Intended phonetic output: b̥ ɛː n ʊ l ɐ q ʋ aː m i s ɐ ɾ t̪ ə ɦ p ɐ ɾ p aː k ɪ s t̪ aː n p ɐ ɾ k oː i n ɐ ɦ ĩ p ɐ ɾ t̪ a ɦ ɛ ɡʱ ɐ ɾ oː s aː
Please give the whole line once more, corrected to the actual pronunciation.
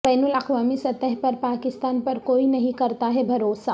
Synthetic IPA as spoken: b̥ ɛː n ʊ l ɐ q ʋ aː m i s ɐ t̪ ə ɦ p ɐ ɾ p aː k ɪ s t̪ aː n p ɐ ɾ k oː i n ɐ ɦ ĩ k ɐ ɾ t̪ a ɦ ɛ bʱ ɐ ɾ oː s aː